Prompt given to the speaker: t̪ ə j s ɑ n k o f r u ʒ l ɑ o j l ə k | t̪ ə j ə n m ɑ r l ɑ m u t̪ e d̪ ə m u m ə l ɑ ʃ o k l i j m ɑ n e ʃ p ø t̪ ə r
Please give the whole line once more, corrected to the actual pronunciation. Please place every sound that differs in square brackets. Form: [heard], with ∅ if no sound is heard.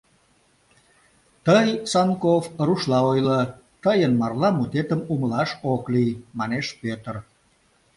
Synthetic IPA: t̪ ə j s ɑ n k o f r u [ʃ] l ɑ o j l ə [∅] | t̪ ə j ə n m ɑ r l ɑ m u t̪ e [t̪] ə m u m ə l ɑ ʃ o k l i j m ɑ n e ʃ p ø t̪ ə r